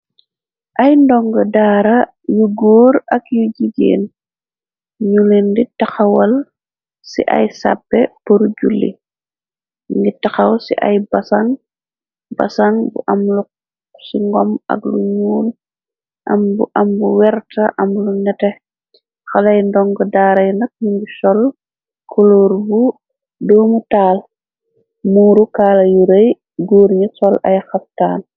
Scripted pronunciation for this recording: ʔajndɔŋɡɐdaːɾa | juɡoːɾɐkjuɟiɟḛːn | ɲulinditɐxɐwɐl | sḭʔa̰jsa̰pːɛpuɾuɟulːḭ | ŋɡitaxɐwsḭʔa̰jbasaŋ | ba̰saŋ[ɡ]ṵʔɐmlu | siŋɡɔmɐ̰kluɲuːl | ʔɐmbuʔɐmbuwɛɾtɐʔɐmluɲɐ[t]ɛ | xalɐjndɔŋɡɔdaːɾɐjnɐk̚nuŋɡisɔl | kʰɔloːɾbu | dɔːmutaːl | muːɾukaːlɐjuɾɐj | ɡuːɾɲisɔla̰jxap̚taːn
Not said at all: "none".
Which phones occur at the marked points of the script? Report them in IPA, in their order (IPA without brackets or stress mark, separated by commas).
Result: b, t